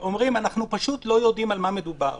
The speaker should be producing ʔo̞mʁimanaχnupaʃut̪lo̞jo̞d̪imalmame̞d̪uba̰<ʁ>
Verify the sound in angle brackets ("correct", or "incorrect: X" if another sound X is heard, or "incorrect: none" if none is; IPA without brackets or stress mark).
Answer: correct